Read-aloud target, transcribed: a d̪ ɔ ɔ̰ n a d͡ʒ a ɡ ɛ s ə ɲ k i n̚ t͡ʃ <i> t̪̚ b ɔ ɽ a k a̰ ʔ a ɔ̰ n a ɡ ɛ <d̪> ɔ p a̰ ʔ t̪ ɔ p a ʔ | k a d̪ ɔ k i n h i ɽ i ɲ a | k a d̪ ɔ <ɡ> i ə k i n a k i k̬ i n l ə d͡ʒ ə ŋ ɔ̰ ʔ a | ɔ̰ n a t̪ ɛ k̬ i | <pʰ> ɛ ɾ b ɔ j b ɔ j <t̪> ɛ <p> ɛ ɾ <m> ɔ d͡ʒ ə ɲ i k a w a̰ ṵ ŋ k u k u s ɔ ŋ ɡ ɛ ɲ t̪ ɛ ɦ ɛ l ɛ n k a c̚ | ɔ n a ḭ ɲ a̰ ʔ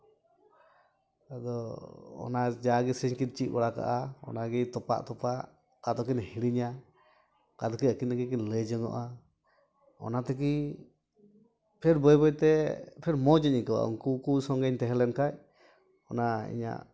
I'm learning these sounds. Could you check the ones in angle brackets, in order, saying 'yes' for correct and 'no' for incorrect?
yes, no, no, yes, yes, no, yes

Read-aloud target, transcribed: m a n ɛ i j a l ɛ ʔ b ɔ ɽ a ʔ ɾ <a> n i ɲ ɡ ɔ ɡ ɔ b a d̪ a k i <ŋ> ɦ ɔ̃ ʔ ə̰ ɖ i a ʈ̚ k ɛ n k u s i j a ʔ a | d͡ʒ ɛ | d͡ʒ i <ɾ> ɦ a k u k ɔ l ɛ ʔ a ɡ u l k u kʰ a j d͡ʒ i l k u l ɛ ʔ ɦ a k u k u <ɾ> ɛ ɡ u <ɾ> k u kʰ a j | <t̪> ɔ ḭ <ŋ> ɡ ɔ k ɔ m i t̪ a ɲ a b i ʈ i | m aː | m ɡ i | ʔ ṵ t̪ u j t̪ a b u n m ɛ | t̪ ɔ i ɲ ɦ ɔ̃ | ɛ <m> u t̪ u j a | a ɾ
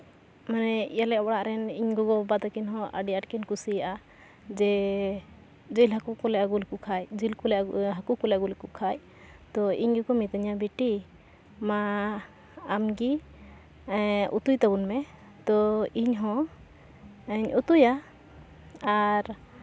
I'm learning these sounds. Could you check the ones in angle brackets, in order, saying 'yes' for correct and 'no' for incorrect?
no, no, no, no, no, yes, no, no

